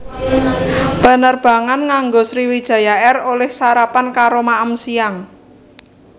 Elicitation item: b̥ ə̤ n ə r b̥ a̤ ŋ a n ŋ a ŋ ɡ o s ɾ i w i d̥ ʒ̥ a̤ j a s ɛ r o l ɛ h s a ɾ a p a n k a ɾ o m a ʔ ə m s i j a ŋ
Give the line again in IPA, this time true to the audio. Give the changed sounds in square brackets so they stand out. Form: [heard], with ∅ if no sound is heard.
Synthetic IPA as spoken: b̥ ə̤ n ə r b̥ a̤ ŋ a n ŋ a ŋ ɡ o s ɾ i w i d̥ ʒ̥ a̤ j a [∅] ɛ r o l ɛ h s a ɾ a p a n k a ɾ o m a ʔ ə m s i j a ŋ